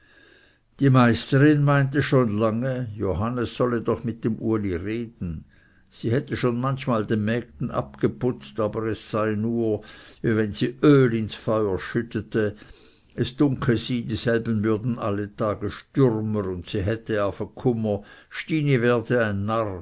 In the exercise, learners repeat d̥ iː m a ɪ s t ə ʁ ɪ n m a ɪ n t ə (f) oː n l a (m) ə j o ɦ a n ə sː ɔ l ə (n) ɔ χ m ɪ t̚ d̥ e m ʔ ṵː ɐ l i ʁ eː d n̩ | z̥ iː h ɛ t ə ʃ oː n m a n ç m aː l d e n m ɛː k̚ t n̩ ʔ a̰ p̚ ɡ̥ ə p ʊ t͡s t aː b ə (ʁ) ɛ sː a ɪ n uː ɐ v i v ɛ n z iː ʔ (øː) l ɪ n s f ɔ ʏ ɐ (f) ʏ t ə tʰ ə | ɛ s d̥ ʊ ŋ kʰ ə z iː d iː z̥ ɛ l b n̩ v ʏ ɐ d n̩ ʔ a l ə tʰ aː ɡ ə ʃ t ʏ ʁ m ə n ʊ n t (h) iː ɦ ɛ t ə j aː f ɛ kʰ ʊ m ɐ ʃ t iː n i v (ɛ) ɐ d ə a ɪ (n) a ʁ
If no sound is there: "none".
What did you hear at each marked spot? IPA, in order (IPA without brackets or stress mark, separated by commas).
ʃ, ŋ, d, ʁ, øː, ʃ, s, ɛː, nː